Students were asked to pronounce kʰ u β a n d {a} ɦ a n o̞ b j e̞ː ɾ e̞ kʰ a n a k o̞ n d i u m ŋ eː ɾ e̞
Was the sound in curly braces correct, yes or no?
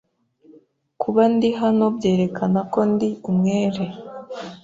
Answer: no